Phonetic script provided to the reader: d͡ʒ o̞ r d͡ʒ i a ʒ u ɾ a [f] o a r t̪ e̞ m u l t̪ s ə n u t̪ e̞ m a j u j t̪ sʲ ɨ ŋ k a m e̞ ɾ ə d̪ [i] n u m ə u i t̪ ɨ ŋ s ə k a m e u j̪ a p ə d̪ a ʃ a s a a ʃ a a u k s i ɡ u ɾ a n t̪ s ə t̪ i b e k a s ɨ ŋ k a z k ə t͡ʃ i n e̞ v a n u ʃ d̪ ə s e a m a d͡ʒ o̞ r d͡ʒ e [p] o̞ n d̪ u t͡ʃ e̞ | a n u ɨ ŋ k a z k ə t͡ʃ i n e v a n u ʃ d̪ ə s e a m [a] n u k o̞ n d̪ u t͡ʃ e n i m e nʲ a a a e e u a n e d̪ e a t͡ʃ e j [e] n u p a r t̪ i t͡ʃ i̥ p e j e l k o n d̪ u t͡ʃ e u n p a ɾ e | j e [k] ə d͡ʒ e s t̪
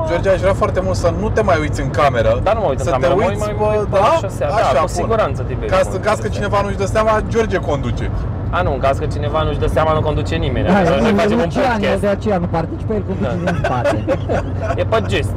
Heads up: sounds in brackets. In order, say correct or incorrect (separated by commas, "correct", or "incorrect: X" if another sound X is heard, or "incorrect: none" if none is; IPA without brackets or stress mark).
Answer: correct, incorrect: a, incorrect: k, correct, incorrect: a, incorrect: p